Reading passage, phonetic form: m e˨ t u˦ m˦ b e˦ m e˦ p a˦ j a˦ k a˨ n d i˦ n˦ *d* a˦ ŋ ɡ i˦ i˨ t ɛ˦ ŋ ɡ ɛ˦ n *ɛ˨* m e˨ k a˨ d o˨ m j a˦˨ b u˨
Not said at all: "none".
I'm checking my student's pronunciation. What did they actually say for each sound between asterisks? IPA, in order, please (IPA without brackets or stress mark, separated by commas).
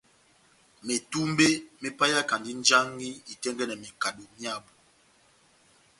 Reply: d͡ʒ, ɛ˨